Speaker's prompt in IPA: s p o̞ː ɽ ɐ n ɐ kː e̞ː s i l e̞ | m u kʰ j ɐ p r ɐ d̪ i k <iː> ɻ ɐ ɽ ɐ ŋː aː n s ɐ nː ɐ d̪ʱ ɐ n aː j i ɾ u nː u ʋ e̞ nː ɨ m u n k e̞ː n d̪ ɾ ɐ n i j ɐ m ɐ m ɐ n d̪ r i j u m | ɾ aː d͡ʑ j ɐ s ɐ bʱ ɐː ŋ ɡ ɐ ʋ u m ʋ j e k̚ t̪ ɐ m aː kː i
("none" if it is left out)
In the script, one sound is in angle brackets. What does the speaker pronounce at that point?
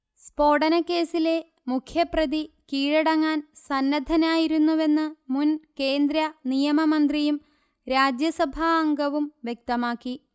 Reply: iː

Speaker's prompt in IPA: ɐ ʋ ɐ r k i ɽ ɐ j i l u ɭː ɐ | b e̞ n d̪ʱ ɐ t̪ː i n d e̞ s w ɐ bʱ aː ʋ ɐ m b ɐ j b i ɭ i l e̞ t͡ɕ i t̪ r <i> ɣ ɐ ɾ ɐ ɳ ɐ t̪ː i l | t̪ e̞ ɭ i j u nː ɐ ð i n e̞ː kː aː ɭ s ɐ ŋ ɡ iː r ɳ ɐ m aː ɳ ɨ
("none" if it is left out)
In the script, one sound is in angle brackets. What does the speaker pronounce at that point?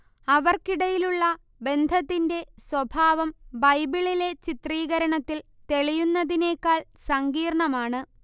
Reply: iː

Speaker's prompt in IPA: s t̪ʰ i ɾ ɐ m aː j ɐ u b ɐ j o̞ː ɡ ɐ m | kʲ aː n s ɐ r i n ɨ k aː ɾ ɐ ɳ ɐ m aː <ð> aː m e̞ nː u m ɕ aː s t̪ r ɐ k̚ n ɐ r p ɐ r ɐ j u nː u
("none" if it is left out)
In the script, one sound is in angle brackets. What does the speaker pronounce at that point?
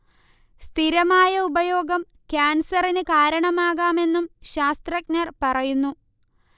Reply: ɣ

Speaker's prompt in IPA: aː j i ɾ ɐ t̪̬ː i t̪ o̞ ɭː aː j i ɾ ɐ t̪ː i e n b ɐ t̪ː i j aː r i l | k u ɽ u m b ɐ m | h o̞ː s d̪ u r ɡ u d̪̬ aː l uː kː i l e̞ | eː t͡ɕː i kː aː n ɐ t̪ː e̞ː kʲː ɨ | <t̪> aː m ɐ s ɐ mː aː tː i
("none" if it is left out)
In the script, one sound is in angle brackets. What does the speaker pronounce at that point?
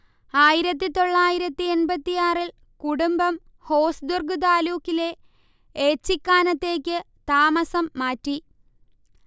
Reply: t̪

